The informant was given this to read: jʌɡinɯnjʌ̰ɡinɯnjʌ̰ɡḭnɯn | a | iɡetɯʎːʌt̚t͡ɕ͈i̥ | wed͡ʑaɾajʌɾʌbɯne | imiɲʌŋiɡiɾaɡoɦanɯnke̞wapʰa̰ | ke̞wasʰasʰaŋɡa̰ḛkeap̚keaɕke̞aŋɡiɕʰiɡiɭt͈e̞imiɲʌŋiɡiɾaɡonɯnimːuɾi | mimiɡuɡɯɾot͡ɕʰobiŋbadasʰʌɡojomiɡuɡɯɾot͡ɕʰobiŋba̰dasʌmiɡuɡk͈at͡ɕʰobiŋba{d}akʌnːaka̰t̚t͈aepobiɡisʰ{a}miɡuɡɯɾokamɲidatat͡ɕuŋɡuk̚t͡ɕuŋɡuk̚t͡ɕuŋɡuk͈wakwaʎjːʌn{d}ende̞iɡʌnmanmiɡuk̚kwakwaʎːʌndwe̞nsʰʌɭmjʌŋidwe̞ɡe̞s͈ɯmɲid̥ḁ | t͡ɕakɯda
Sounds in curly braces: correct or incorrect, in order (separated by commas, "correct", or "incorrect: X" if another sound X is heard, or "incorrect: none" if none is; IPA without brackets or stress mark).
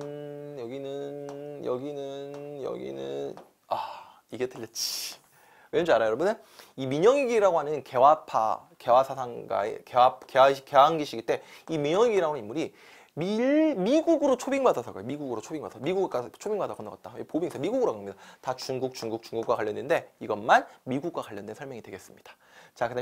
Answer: correct, incorrect: ʌ, correct